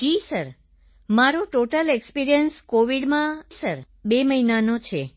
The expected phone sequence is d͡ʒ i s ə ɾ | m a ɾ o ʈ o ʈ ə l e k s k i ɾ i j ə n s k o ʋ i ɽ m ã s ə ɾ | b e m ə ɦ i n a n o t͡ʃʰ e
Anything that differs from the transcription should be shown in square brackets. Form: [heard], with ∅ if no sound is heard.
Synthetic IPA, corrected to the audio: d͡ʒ i s ə ɾ | m a ɾ o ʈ o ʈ ə l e k s [p] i ɾ i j ə n s k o ʋ i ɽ m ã s ə ɾ | b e m ə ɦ i n a n o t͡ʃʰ e